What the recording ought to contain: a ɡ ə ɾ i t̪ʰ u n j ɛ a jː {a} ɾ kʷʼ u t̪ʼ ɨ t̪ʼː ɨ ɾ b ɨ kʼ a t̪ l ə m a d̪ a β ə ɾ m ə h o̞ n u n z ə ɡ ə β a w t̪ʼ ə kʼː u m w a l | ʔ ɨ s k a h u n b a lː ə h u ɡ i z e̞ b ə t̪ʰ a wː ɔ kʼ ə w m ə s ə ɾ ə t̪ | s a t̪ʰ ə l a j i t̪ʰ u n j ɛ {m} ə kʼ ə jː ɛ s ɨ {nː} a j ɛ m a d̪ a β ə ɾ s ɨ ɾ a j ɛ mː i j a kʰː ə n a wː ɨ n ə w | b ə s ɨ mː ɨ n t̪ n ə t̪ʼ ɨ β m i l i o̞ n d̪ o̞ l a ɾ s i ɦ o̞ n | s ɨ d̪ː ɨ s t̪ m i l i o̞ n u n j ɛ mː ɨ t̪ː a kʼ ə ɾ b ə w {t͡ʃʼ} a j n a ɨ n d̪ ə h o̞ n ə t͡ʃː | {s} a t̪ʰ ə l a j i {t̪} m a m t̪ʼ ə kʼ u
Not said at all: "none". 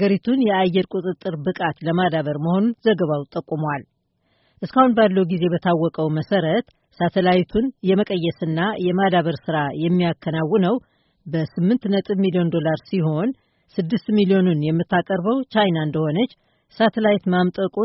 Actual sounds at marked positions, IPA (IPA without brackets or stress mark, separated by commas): ɛ, m, nː, t͡ʃ, s, t̪